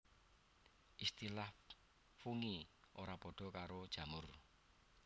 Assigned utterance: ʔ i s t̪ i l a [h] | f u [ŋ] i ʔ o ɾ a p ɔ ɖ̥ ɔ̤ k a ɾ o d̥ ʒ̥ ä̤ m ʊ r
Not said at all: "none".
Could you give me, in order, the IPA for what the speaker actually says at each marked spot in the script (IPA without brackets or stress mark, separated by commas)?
h, ŋ